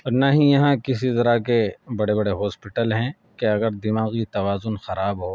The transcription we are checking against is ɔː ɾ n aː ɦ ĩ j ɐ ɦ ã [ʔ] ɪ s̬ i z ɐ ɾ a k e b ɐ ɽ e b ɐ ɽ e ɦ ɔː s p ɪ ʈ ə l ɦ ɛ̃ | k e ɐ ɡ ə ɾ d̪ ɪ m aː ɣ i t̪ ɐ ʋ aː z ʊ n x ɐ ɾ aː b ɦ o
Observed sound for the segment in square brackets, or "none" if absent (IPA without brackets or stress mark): k